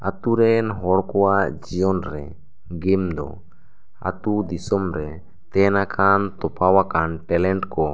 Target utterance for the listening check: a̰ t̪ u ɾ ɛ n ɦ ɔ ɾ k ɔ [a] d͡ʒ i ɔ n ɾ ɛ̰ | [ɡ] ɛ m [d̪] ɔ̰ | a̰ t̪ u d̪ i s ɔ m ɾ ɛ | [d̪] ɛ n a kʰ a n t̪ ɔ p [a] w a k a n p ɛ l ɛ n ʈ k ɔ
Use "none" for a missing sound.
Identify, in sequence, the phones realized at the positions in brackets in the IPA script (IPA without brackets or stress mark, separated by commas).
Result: a, ɡ, d̪, t̪, a